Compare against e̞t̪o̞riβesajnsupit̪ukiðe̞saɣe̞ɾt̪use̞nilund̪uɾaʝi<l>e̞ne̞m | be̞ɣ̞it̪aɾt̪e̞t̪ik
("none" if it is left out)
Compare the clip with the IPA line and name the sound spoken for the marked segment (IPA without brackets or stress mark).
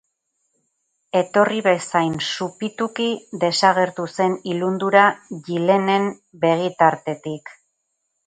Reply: l